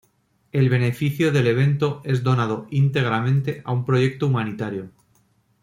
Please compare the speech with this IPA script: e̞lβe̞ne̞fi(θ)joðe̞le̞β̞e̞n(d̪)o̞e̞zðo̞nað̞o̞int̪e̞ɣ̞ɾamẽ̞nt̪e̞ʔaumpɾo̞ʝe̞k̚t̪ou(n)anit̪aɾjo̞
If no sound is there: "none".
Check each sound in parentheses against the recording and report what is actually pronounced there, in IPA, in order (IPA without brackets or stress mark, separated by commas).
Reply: θ, t̪, m